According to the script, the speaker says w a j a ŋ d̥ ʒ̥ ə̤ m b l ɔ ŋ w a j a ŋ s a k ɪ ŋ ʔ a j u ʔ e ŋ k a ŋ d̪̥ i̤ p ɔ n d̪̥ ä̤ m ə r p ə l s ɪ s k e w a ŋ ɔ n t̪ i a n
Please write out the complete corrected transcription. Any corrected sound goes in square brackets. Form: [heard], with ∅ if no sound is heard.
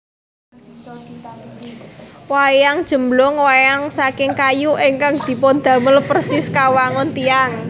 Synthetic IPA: w a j a ŋ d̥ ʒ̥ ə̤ m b l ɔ ŋ w a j a ŋ s a k ɪ ŋ [k] a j u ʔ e ŋ k a ŋ d̪̥ i̤ p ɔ n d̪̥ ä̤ m ə [l] p ə [r] s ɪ s k [a] w a ŋ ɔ n t̪ i a [ŋ]